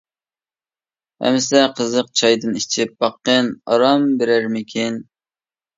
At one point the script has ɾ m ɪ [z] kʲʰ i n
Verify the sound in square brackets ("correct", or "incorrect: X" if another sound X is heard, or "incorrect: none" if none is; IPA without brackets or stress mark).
incorrect: none